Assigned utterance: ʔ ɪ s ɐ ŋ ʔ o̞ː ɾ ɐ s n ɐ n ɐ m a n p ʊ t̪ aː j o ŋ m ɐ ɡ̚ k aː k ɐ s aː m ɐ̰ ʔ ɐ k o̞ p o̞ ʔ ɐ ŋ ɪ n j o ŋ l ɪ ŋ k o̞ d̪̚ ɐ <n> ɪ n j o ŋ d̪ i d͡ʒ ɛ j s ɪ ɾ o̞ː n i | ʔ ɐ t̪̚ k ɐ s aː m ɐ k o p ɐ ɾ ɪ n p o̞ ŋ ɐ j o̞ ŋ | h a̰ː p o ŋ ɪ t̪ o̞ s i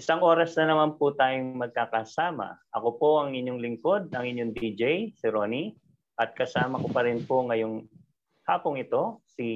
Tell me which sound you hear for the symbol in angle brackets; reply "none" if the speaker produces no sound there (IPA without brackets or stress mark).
ŋ